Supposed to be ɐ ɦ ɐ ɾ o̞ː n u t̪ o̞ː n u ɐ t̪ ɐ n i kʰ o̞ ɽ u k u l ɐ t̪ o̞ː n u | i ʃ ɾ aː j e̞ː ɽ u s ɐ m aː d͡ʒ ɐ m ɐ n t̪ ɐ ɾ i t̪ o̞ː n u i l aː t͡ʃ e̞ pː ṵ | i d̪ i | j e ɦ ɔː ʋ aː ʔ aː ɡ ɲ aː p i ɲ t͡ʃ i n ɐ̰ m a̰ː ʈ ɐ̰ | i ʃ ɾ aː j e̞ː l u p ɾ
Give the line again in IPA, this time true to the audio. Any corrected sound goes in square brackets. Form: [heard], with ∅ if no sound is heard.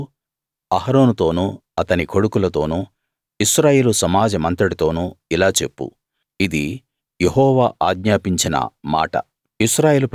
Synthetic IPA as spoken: ɐ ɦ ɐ ɾ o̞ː n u t̪ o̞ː n u ɐ t̪ ɐ n i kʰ o̞ ɽ u k u l ɐ t̪ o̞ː n u | i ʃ ɾ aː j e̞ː [l] u s ɐ m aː d͡ʒ ɐ m ɐ n t̪ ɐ [ɽ] i t̪ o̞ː n u i l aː t͡ʃ e̞ pː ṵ | i d̪ i | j e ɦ ɔː ʋ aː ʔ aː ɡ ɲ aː p i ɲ t͡ʃ i n ɐ̰ m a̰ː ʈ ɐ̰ | i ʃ ɾ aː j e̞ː l u p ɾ